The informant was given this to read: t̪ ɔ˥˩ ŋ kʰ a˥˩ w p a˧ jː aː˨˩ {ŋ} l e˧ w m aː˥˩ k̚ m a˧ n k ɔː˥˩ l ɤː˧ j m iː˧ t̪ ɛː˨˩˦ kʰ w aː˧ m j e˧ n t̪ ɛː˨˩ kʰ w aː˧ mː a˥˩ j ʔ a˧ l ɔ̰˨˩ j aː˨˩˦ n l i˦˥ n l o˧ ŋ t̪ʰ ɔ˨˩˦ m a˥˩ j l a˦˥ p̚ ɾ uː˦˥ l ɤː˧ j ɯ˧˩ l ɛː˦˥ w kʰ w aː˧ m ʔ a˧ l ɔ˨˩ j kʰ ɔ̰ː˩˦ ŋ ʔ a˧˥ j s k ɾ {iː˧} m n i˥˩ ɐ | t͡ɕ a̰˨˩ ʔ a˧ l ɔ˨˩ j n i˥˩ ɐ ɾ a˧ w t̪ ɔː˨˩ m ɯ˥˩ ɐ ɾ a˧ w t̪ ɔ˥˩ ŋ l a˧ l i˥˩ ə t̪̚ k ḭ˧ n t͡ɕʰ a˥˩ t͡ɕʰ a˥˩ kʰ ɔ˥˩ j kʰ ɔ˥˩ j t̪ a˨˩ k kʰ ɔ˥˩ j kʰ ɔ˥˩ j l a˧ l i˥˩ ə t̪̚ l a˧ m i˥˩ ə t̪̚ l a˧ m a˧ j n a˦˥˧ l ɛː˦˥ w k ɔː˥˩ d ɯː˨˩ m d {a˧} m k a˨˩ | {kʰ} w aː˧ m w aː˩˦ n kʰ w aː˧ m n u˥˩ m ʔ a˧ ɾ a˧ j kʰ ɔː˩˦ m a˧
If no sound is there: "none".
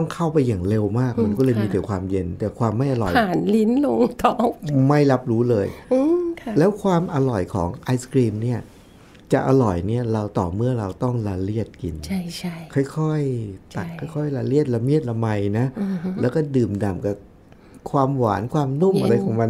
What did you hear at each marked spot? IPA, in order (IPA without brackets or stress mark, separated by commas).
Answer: ŋ, iː˧, a˨˩, kʰ